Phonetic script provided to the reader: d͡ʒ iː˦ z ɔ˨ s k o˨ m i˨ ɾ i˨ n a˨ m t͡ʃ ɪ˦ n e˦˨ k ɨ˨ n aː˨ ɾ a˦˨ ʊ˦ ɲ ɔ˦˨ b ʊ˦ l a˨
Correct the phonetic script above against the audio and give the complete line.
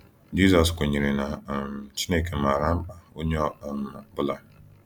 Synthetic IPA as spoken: d͡ʒ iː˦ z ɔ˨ s k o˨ ɲ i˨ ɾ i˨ n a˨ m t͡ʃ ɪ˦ n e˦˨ k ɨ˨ m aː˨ ɾ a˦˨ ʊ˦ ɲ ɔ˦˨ b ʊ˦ l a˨